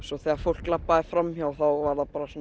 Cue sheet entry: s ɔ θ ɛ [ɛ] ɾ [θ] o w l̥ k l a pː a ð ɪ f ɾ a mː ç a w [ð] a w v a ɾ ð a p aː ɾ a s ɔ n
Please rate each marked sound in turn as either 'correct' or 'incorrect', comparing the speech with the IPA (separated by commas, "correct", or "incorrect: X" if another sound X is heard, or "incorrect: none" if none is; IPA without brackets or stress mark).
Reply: incorrect: a, incorrect: f, incorrect: θ